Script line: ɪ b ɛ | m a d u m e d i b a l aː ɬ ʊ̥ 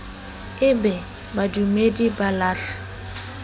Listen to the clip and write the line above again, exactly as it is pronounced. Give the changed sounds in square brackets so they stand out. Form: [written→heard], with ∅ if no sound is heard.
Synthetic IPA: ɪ b ɛ | [m→b] a d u m e d i b a l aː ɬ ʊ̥